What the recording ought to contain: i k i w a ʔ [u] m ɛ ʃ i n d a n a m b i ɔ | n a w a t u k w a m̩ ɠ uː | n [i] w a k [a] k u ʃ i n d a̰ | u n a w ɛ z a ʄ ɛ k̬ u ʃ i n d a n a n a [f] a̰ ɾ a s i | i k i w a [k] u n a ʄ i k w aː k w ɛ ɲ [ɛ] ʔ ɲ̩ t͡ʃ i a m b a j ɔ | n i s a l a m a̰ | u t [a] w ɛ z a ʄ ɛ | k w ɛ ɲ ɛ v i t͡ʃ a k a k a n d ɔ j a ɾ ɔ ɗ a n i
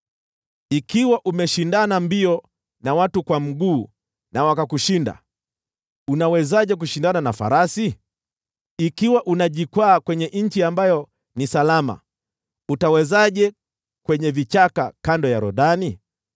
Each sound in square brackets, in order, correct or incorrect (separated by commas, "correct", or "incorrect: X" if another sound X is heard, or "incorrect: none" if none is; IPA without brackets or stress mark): correct, incorrect: a, correct, correct, incorrect: ʔ, correct, correct